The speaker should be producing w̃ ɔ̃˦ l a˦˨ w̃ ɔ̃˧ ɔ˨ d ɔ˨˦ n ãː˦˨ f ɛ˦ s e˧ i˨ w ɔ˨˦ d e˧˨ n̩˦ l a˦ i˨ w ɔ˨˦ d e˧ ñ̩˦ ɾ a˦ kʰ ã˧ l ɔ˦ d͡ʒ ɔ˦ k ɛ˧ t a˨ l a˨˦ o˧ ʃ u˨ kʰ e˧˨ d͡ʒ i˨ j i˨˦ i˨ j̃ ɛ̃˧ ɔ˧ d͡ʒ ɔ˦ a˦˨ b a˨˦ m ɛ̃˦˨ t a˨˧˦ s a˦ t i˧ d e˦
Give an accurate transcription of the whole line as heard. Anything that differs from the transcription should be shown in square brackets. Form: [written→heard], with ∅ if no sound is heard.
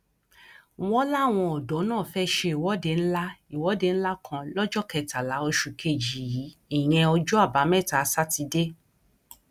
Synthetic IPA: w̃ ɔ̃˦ l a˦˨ w̃ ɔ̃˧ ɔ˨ d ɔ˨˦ n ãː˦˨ f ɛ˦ [s→ʃ] e˧ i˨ w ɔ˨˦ d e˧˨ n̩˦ l a˦ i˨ w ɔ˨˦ d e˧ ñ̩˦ [ɾ→l] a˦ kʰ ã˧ l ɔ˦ d͡ʒ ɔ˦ k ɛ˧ t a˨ l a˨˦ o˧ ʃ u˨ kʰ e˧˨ d͡ʒ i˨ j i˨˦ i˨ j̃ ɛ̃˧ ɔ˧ d͡ʒ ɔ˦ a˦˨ b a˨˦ m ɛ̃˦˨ t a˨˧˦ s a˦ t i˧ d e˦